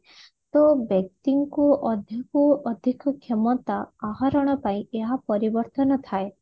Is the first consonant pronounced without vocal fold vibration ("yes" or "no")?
yes